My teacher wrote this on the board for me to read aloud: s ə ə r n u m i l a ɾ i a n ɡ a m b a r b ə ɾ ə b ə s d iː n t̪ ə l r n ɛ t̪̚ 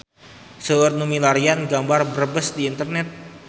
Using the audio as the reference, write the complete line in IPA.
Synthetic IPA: s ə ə r n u m i l a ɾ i a n ɡ a m b a r b ə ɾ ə b ə s d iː n t̪ ə r n ɛ t̪̚